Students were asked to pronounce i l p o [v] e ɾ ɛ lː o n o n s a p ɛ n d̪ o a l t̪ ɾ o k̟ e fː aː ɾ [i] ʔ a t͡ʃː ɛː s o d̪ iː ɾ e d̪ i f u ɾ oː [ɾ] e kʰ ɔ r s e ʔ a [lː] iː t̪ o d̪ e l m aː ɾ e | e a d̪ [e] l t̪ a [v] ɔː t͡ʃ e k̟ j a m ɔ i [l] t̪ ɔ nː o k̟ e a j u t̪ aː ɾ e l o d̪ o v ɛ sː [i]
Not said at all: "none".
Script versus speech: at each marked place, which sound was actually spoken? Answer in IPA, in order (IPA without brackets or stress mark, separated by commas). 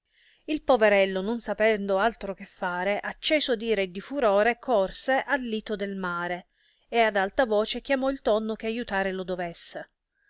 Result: v, e, ɾ, lː, a, v, l, e